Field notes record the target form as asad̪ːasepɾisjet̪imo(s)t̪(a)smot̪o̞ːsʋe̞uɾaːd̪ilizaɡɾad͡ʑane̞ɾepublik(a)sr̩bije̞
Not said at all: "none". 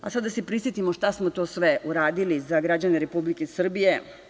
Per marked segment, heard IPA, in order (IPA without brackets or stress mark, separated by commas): ʃ, a, e